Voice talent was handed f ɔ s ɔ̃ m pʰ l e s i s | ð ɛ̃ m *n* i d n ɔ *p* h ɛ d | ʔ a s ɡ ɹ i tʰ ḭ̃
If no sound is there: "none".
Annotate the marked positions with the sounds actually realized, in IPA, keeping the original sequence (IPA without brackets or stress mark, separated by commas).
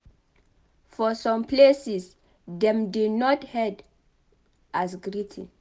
d, t